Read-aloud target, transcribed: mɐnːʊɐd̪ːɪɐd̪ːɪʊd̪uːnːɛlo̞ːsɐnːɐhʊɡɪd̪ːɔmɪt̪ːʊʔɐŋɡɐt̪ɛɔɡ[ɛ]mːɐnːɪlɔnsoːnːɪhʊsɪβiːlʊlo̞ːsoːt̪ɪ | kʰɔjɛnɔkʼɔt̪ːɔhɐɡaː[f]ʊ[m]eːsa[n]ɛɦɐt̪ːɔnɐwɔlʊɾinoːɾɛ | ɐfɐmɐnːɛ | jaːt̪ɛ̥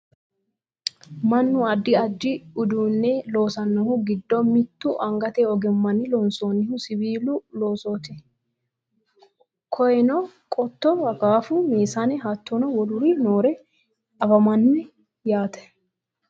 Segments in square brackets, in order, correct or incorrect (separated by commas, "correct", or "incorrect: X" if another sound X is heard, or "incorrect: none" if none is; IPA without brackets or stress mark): correct, correct, correct, correct